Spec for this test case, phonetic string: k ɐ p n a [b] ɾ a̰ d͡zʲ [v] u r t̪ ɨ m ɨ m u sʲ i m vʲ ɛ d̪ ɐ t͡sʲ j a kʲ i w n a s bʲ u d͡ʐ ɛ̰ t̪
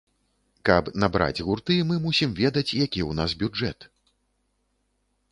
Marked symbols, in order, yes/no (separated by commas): yes, no